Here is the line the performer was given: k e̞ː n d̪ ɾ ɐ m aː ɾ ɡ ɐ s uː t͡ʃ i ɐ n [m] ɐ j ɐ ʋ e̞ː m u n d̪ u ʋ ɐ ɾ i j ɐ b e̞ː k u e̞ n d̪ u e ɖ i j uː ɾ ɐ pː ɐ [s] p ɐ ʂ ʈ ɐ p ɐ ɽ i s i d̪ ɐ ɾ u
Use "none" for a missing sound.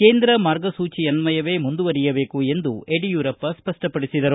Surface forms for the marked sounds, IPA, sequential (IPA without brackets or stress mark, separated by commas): m, s